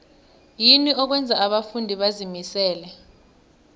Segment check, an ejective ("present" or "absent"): absent